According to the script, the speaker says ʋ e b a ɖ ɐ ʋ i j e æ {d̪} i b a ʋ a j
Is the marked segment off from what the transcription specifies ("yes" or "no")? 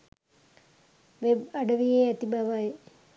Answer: yes